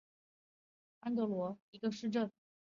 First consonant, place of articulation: alveolar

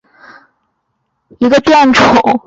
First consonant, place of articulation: velar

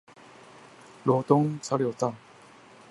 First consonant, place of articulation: alveolar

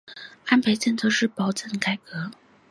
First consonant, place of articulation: alveolar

